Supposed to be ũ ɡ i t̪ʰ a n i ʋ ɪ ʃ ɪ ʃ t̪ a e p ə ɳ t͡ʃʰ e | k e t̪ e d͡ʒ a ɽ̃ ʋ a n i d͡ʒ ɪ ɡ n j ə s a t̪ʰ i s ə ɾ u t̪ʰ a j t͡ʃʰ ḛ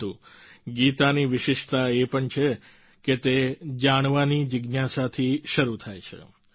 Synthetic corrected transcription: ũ ɡ i t̪ a n i ʋ ɪ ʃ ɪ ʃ t̪ a e p ə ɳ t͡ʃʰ e | k e t̪ e d͡ʒ a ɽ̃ ʋ a n i d͡ʒ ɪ ɡ n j a s a t̪ʰ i ʃ ə ɾ u t̪ʰ a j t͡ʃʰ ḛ

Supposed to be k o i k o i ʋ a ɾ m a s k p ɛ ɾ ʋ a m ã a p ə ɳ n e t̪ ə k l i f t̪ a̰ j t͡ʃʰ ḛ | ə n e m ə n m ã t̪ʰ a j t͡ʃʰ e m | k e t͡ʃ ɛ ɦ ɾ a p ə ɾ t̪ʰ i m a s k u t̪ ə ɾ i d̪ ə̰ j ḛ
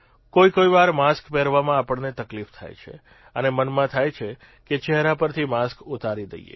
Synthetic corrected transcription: k o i k o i ʋ a ɾ m a s k p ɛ ɾ ʋ a m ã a p ə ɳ n e t̪ ə k l i f t̪ʰ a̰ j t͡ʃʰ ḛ | ə n e m ə n m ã t̪ʰ a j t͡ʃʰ e | k e t͡ʃ ɛ ɦ ɾ a p ə ɾ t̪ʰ i m a s k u t̪ a ɾ i d̪ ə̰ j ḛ

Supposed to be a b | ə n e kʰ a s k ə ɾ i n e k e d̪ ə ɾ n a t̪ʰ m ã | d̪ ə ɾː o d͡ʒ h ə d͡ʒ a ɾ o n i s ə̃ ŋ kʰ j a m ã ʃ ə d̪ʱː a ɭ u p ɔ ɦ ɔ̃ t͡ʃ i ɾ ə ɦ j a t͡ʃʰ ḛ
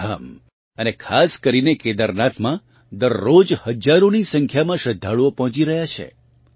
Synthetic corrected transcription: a m | ə n e kʰ a s k ə ɾ i n e k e d̪ ə ɾ n a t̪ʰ m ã | d̪ ə ɾː o d͡ʒ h ə d͡ʒ a ɾ o n i s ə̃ ŋ kʰ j a m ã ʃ ə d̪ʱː a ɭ o p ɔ ɦ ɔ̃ t͡ʃ i ɾ ə ɦ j a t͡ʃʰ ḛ

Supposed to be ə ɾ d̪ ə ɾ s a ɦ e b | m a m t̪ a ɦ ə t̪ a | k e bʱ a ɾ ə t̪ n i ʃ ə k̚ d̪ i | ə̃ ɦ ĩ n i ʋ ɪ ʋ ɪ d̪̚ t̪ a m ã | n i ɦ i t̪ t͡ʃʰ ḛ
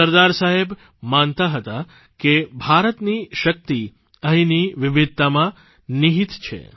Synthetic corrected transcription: ə ɾ d̪ a ɾ s a ɦ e b | m a n t̪ a ɦ ə t̪ a | k e bʱ a ɾ ə t̪ n i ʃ ə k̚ t̪ i | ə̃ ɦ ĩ n i ʋ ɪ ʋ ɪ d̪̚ t̪ a m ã | n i ɦ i t̪ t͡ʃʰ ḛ

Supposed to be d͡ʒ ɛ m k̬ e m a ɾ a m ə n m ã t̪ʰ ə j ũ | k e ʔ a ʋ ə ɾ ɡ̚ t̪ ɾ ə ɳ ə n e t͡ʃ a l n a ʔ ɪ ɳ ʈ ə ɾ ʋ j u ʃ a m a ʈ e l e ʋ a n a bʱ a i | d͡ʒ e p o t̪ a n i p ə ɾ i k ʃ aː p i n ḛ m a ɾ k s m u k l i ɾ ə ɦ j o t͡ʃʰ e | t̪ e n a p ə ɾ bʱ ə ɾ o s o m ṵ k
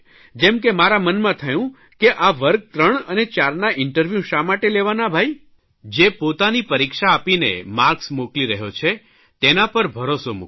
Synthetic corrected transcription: d͡ʒ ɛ m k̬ e m a ɾ a m ə n m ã t̪ʰ ə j ũ | k e ʔ a ʋ ə ɾ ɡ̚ t̪ ɾ ə ɳ ə n e t͡ʃ a ɾ n a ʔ ɪ ɳ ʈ ə ɾ ʋ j u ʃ a m a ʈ e l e ʋ a n a bʱ a i | d͡ʒ e p o t̪ a n i p ə ɾ i k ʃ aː p i n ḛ m a ɾ k s m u k l i ɾ ə ɦ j o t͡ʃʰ e | t̪ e n a p ə ɾ bʱ ə ɾ o s o m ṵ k

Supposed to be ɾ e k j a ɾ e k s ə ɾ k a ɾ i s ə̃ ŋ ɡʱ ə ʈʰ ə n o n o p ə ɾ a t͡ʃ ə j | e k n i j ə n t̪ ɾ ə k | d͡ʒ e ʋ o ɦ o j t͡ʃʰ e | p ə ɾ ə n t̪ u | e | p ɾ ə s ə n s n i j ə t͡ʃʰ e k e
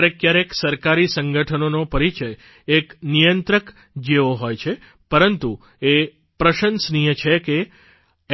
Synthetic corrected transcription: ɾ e k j a ɾ e k s ə ɾ k a ɾ i s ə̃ ŋ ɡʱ ə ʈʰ ə n o n o p ə ɾ i t͡ʃ ə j | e k n i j ə n t̪ ɾ ə k | d͡ʒ e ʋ o ɦ o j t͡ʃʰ e | p ə ɾ ə n t̪ u | e | p ɾ ə ʃ ə n s n i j ə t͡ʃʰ e k e

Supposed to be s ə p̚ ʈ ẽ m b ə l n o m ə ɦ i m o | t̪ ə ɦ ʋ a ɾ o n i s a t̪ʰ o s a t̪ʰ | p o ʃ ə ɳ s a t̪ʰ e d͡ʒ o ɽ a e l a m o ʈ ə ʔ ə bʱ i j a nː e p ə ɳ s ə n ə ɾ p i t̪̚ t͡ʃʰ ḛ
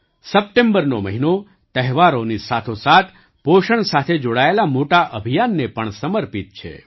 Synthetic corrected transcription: s ə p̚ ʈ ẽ m b ə ɾ n o m ə ɦ i n o | t̪ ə ɦ ʋ a ɾ o n i s a t̪ʰ o s a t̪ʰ | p o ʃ ə ɳ s a t̪ʰ e d͡ʒ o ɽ a e l a m o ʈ a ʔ ə bʱ i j a nː e p ə ɳ s ə m ə ɾ p i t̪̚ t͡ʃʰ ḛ

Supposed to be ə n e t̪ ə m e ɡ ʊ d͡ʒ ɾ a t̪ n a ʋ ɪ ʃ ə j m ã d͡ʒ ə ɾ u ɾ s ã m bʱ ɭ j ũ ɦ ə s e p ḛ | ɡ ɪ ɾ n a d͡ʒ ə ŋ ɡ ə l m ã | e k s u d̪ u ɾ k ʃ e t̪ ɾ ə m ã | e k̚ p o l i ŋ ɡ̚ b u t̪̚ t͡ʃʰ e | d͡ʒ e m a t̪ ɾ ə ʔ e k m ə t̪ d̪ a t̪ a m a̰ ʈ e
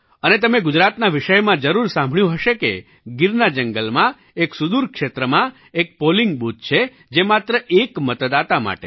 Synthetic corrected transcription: ə n e t̪ ə m e ɡ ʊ d͡ʒ ɾ a t̪ n a ʋ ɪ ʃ ə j m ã d͡ʒ ə ɾ u ɾ s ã m bʱ ɭ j ũ ɦ ə ʃ e k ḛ | ɡ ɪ ɾ n a d͡ʒ ə ŋ ɡ ə l m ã | e k s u d̪ u ɾ k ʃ e t̪ ɾ ə m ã | e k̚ p o l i ŋ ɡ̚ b u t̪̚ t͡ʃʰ e | d͡ʒ e m a t̪ ɾ ə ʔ e k m ə t̪ d̪ a t̪ a m a̰ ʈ e

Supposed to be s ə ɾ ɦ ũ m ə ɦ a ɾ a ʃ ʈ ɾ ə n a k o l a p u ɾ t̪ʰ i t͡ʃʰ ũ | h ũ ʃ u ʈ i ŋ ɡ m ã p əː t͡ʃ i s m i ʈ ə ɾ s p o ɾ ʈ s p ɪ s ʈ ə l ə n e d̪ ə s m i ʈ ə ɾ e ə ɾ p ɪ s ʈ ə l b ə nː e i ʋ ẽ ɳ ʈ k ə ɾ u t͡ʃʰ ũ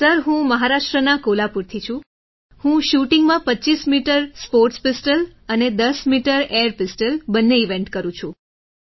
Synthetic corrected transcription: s ə ɾ ɦ ũ m ə ɦ a ɾ a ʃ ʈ ɾ ə n a k o l a p u ɾ t̪ʰ i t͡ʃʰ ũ | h ũ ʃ u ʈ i ŋ ɡ m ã p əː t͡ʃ i s m i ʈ ə ɾ s p o ɾ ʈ s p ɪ s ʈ ə l ə n e d̪ ə s m i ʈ ə ɾ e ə ɾ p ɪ s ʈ ə l b ə nː e i ʋ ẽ ɳ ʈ k ə ɾ ũ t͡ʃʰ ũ

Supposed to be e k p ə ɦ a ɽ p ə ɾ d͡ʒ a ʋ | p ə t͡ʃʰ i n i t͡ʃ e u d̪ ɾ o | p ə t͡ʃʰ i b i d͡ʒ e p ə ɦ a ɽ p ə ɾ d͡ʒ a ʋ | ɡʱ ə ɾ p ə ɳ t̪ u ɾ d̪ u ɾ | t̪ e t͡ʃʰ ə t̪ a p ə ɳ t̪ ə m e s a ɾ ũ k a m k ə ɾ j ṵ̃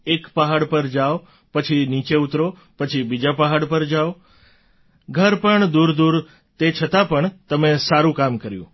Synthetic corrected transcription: e k p ə ɦ a ɽ p ə ɾ d͡ʒ a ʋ | p ə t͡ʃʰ i n i t͡ʃ e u t̪ ɾ o | p ə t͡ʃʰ i b i d͡ʒ a p ə ɦ a ɽ p ə ɾ d͡ʒ a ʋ | ɡʱ ə ɾ p ə ɳ d̪ u ɾ d̪ u ɾ | t̪ e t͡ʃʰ ə t̪ a p ə ɳ t̪ ə m e s a ɾ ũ k a m k ə ɾ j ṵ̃

